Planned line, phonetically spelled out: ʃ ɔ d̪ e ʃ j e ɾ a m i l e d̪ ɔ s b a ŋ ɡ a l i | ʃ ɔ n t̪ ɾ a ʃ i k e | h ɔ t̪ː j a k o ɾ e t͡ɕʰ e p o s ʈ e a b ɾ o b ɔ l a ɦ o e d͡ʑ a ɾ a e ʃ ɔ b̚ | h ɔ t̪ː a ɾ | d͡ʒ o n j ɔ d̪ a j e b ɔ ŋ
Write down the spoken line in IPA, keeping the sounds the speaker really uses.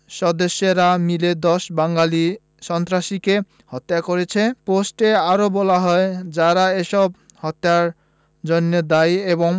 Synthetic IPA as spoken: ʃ ɔ d̪ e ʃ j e ɾ a m i l e d̪ ɔ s b a ŋ ɡ a l i | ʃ ɔ n t̪ ɾ a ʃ i k e | h ɔ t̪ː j a k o ɾ e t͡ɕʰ e p o s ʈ e a ɾ o b ɔ l a ɦ ɔ e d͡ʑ a ɾ a e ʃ ɔ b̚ | h ɔ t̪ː a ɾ | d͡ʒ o n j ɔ d̪ a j e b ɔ ŋ